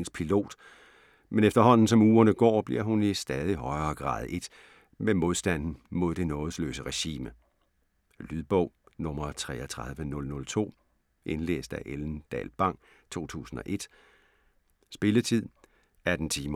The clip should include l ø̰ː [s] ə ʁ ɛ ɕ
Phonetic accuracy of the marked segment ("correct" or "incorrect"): correct